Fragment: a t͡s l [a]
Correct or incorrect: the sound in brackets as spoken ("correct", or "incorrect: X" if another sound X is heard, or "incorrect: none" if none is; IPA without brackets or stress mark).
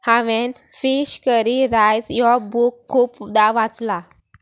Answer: correct